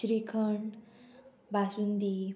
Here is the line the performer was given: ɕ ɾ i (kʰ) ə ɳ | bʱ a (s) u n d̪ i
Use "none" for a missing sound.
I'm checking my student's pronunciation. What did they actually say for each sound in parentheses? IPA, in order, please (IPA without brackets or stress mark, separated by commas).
kʰ, s